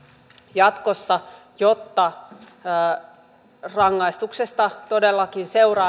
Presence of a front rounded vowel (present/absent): absent